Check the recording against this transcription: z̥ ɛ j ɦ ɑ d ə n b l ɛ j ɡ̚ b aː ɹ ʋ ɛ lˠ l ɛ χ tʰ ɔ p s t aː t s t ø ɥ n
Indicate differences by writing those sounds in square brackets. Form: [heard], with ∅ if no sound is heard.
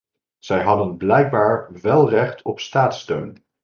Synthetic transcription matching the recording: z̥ ɛ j ɦ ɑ d ə n b l ɛ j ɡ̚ b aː ɹ ʋ ɛ lˠ [r] ɛ χ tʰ ɔ p s t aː t s t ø ɥ n

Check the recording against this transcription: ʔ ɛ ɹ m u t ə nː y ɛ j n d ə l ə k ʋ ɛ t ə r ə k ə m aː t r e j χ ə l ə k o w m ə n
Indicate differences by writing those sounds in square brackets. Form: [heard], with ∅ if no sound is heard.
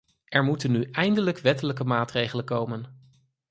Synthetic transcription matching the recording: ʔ ɛ ɹ m u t ə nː y ɛ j n d ə l ə k ʋ ɛ t ə [l] ə k ə m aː t r e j χ ə l ə k o w m ə n

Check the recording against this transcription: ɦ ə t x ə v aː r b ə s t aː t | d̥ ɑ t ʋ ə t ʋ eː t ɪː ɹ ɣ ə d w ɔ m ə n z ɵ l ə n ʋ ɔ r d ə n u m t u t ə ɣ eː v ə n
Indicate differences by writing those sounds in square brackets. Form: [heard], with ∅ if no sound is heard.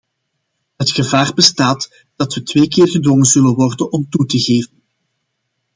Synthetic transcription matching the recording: ɦ ə t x ə v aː r b ə s t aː t | d̥ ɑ t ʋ ə t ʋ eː [k] ɪː [r] ɣ ə d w ɔ [ŋ] ə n z ɵ l ə n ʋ ɔ r d ə n [ɔ] m t u t ə ɣ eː v ə n

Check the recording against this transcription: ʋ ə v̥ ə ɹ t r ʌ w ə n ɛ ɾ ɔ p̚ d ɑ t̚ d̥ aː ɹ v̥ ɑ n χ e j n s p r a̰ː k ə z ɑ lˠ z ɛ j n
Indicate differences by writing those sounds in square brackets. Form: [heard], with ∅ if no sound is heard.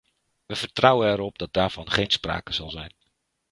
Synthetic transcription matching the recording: ʋ ə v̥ ə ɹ t r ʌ w ə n ɛ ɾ ɔ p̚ d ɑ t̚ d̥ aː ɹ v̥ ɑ n χ e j n s p r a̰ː k ə z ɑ lˠ z ɛ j n

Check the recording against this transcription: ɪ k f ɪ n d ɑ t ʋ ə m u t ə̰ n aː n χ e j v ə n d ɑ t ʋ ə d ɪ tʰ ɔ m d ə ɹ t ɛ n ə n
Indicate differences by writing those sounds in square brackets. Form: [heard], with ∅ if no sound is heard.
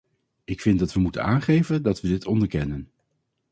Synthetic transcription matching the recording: ɪ k f ɪ n d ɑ t ʋ ə m u t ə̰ n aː n χ e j v ə n d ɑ t ʋ ə d ɪ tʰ ɔ [n] d ə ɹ [k] ɛ n ə n

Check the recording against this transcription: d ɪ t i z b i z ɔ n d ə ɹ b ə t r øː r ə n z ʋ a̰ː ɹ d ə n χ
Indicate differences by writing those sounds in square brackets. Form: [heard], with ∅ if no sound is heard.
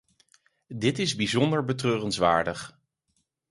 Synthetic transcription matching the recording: d ɪ t [ɪ] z b i z ɔ n d ə ɹ b ə t r øː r ə n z ʋ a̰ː ɹ d ə [∅] χ

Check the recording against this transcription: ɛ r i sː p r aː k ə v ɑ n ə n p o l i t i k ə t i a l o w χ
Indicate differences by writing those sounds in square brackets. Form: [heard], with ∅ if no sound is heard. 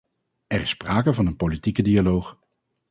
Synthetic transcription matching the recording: ɛ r [ɪ] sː p r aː k ə v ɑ n ə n p o l i t i k ə [d] i a l o w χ

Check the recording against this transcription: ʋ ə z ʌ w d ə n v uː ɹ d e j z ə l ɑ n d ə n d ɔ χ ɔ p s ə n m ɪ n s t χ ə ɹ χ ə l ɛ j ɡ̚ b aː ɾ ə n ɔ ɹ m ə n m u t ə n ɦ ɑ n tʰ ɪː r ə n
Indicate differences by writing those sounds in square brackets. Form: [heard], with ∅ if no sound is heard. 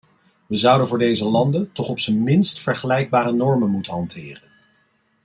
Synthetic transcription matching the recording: ʋ ə z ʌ w d ə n v [ʊː] ɹ d e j z ə l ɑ n d ə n [t] ɔ χ ɔ p s ə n m ɪ n s t [f] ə ɹ χ ə l ɛ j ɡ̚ b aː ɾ ə n ɔ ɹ m ə n m u t ə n ɦ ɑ n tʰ ɪː r ə n

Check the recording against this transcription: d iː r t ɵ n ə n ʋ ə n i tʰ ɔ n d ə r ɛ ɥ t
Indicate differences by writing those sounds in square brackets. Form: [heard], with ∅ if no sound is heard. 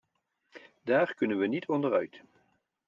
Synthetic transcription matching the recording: d [aː] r [k] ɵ n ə n ʋ ə n i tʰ ɔ n d ə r [œ] ɥ t

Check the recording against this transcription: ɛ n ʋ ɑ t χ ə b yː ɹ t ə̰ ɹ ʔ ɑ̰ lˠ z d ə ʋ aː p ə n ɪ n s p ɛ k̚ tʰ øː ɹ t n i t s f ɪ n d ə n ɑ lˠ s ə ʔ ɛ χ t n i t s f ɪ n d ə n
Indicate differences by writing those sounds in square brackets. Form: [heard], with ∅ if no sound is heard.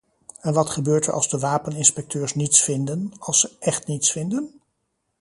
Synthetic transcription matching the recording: ɛ n ʋ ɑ t χ ə b [øː] ɹ t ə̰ ɹ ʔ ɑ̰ lˠ z d ə ʋ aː p ə n ɪ n s p ɛ k̚ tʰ øː ɹ [s] n i t s f ɪ n d ə n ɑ lˠ s ə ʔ ɛ χ t n i t s f ɪ n d ə n

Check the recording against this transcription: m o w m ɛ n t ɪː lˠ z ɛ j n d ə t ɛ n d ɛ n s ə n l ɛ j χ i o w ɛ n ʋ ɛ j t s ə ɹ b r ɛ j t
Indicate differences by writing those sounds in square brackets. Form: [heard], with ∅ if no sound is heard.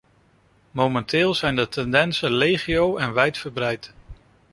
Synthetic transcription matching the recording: m o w m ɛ n t ɪː lˠ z ɛ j n d ə t ɛ n d ɛ n s ə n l [e] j χ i o w ɛ n ʋ ɛ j t [f] ə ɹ b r ɛ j t

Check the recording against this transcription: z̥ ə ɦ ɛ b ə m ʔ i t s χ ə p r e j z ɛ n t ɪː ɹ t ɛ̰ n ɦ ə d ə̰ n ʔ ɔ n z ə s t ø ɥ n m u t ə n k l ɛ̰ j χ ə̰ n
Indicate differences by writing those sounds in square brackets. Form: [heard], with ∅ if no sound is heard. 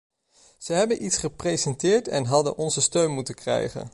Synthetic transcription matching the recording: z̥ ə ɦ ɛ b ə [n] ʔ i t s χ ə p r e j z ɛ n t ɪː ɹ t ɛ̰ n ɦ [ɑ] d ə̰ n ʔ ɔ n z ə s t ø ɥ n m u t ə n k [r] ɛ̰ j χ ə̰ n

